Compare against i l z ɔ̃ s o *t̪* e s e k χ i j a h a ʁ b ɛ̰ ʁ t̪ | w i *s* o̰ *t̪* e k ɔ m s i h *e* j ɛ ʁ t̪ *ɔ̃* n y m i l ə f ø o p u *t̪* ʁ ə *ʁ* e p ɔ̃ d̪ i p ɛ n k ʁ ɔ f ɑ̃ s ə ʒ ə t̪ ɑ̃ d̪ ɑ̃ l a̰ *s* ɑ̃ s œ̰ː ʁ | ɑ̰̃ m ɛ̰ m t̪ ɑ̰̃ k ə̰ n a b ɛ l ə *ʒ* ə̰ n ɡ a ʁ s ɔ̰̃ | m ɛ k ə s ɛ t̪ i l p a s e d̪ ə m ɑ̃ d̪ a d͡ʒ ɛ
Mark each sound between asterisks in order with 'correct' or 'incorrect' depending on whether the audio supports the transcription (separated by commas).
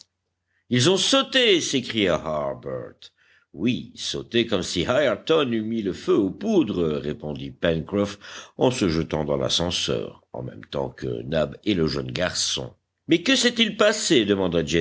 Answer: correct, correct, correct, incorrect, incorrect, incorrect, correct, correct, correct